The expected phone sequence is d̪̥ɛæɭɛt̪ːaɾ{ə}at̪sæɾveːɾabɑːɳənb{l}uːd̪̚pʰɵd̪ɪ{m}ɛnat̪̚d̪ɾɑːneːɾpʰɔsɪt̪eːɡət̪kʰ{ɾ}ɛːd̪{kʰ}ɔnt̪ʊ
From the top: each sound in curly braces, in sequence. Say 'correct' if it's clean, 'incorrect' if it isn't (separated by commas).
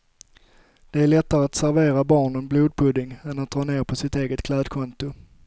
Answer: correct, correct, incorrect, incorrect, correct